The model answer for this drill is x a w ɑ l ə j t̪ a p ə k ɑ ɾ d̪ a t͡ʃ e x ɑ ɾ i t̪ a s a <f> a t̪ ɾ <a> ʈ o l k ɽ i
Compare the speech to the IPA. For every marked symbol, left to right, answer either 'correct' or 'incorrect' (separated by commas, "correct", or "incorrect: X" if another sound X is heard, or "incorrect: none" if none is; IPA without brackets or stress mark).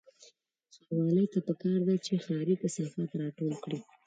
correct, incorrect: ɑ